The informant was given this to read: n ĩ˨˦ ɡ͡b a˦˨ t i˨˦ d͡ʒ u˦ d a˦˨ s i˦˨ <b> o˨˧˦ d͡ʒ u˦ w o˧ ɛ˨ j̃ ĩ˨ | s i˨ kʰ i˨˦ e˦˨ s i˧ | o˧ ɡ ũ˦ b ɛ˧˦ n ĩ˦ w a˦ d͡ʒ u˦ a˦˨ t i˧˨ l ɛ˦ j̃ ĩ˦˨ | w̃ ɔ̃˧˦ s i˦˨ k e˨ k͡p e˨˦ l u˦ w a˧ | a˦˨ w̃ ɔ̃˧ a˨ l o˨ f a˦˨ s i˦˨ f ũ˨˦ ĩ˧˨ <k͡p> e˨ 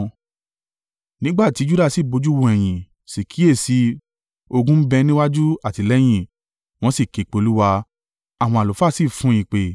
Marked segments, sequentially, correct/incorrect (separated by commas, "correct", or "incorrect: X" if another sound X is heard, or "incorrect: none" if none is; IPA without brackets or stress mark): correct, correct